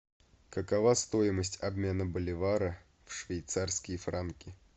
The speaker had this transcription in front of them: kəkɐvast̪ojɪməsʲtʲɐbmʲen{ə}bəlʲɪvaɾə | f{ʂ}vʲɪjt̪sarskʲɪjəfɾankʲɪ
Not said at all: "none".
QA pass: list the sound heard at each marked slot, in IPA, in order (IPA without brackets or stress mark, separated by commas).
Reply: ə, ʂ